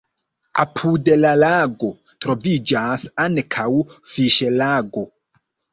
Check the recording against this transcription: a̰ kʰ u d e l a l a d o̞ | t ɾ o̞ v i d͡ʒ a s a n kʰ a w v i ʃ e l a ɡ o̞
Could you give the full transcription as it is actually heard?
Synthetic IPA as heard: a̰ pʰ u d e l a l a ɡ o̞ | t ɾ o̞ v i d͡ʒ a s a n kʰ a w f i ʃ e l a ɡ o̞